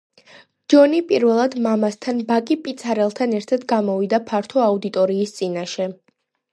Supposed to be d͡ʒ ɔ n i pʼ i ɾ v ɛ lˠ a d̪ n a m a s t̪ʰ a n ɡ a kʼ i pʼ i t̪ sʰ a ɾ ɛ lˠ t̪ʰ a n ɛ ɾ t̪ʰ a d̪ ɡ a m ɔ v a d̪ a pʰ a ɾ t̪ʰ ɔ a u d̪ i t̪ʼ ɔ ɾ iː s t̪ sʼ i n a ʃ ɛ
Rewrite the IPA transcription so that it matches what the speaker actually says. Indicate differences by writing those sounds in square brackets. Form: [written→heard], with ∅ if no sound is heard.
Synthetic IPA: d͡ʒ ɔ n i pʼ i ɾ v ɛ lˠ a d̪ [n→m] a m a s t̪ʰ a n [ɡ→b] a kʼ i pʼ i t̪ sʰ a ɾ ɛ lˠ t̪ʰ a n ɛ ɾ t̪ʰ a d̪ ɡ a m ɔ v [a→i] d̪ a pʰ a ɾ t̪ʰ ɔ a u d̪ i t̪ʼ ɔ ɾ iː s t̪ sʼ i n a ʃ ɛ